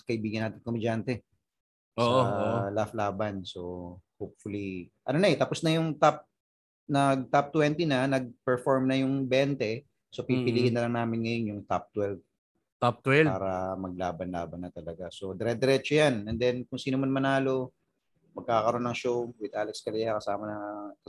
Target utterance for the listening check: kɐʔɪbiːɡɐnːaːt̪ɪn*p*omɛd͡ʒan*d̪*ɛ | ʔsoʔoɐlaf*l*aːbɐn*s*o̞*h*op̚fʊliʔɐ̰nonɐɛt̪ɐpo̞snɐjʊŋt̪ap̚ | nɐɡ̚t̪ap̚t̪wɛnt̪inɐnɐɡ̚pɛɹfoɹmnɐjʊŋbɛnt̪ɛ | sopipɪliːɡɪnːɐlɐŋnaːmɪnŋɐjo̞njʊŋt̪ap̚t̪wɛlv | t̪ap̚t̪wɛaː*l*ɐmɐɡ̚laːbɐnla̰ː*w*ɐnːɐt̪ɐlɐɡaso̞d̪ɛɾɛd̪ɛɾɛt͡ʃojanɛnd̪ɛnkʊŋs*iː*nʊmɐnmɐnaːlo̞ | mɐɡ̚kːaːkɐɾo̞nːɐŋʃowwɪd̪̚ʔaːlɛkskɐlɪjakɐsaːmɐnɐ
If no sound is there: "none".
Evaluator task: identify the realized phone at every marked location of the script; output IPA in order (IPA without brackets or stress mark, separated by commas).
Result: k, t̪, l, s, h, ɾ, b, iː